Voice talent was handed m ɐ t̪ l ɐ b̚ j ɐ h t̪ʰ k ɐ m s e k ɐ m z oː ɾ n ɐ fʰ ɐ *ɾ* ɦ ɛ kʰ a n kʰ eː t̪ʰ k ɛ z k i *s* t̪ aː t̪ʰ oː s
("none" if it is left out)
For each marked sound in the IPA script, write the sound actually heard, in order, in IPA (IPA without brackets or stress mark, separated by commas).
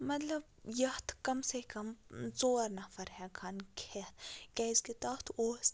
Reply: ɾ, none